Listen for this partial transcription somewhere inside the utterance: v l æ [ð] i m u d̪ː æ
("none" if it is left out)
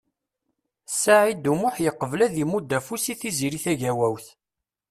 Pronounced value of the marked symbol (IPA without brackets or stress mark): ð